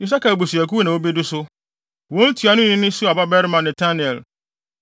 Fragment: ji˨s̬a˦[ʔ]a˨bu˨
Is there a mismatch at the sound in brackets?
yes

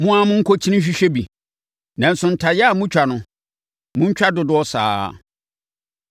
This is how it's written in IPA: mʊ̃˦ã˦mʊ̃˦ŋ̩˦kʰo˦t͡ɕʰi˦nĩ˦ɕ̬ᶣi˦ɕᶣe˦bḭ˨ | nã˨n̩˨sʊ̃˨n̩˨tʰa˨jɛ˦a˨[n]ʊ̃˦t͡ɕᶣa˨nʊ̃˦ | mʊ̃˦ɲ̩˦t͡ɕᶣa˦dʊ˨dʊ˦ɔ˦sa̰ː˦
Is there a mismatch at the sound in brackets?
yes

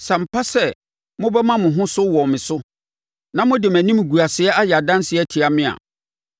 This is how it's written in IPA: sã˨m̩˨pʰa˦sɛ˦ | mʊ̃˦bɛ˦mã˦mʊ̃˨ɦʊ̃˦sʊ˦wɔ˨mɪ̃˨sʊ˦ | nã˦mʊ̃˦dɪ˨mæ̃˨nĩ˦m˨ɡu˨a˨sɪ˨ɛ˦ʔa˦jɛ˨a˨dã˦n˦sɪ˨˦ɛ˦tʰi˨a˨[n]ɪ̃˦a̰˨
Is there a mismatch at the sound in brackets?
yes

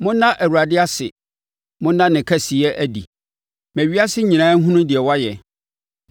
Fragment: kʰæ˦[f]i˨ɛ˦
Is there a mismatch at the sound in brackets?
yes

